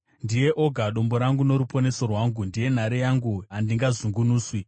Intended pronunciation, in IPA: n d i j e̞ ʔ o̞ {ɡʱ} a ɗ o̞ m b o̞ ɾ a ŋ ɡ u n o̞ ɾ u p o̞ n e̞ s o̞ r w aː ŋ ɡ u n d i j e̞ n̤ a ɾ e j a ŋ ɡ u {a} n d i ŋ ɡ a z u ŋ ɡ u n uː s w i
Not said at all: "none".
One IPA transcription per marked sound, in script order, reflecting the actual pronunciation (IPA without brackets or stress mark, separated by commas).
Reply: ɡʱ, a